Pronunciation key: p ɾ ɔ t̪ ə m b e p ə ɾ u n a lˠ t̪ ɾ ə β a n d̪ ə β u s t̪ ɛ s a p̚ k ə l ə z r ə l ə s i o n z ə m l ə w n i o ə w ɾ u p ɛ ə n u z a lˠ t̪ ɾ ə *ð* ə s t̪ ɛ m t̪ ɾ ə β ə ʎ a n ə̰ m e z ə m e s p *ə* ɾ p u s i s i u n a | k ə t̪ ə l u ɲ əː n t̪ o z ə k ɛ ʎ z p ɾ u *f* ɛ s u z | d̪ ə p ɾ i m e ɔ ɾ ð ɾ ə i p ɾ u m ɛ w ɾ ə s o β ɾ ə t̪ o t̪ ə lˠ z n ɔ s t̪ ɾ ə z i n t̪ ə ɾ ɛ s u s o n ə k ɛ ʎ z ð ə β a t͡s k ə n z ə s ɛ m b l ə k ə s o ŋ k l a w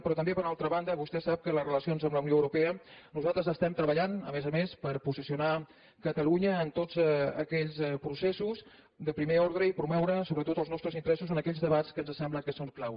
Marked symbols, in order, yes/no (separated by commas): no, yes, no